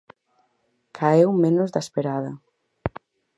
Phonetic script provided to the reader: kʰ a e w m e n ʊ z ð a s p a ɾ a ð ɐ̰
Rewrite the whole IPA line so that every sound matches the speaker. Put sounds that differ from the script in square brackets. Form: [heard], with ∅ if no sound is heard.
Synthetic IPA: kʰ a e w m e n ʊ z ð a s p [e] ɾ a ð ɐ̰

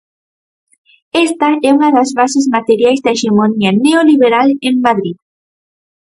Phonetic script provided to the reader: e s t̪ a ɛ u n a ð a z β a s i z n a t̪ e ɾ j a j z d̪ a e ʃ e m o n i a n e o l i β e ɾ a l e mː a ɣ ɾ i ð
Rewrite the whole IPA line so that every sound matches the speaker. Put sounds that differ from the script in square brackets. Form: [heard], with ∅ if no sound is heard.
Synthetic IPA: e s t̪ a ɛ u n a ð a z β a s [e] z [m] a t̪ e ɾ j a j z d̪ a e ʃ e m o n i a n e o l i β e ɾ a l e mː a [ð] ɾ i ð

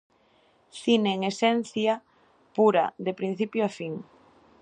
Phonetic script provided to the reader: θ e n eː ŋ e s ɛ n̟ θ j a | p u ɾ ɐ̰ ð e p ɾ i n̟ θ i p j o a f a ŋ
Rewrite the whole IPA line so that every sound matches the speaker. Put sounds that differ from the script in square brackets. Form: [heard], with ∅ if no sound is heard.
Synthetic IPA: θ [i] n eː ŋ e s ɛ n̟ θ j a | p u ɾ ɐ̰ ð e p ɾ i n̟ θ i p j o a f [i] ŋ

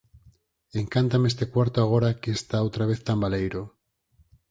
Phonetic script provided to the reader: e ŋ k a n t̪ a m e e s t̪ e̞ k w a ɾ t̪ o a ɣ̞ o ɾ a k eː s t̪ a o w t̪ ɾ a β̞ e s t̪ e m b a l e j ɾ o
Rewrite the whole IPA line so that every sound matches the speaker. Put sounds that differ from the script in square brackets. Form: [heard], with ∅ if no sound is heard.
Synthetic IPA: e ŋ k a n t̪ a m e e s t̪ e̞ k w a ɾ t̪ o a ɣ̞ o ɾ a k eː s t̪ a o w t̪ ɾ a β̞ e [θ] t̪ [a] m b a l e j ɾ o

